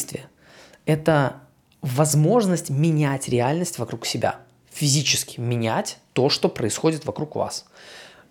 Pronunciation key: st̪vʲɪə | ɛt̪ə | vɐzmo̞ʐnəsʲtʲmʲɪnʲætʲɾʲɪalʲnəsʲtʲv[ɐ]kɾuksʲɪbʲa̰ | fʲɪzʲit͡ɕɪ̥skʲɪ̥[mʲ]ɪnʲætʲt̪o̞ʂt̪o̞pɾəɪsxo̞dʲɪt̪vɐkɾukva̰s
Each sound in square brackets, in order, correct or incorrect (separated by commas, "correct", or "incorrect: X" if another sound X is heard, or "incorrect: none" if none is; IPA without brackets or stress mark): correct, correct